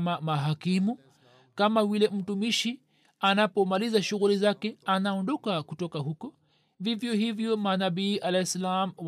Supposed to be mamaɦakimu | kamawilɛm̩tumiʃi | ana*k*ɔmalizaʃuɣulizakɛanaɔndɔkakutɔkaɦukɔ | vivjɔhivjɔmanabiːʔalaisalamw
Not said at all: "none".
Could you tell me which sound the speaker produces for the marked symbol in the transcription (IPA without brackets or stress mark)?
p